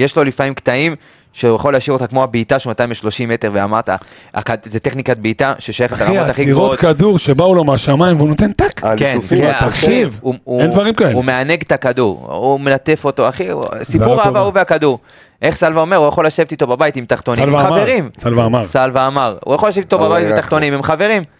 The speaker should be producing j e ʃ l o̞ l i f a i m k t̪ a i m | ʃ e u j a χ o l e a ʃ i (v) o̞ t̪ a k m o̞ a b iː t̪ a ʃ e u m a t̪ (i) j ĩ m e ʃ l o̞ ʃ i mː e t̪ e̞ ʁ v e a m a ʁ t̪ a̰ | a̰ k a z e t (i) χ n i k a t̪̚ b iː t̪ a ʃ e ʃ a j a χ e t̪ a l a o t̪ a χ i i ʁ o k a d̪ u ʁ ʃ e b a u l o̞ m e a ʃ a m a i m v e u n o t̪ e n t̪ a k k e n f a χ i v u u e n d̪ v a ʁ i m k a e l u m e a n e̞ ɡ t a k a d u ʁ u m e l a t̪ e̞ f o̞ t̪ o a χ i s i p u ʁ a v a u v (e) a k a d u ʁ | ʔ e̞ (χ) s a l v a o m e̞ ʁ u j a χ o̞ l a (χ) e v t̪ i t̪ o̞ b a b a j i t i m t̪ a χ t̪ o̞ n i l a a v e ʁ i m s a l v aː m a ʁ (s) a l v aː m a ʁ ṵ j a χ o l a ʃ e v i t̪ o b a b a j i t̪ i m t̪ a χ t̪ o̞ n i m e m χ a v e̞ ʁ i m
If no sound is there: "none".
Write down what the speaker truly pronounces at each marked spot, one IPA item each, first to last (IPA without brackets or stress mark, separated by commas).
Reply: v, a, e, e, χ, ʃ, s